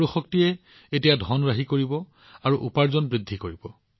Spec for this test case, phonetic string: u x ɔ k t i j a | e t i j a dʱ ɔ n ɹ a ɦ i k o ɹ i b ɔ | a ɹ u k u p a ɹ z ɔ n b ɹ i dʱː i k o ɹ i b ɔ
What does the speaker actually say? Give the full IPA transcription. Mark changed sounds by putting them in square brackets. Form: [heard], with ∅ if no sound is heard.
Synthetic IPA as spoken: u x ɔ k t i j [ɛ] | e t i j a dʱ ɔ n ɹ a ɦ i k o ɹ i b ɔ | a ɹ u [ʔ] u p a ɹ z ɔ n b ɹ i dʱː i k o ɹ i b ɔ